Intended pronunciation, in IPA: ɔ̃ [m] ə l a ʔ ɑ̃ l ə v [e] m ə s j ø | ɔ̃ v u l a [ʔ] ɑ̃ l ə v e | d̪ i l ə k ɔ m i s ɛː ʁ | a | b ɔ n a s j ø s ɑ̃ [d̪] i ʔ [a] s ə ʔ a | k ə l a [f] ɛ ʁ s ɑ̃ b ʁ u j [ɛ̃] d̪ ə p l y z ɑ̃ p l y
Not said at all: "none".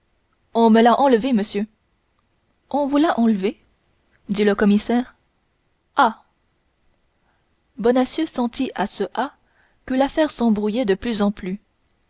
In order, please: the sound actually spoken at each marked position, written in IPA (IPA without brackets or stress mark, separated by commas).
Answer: m, e, ʔ, t̪, a, f, ɛ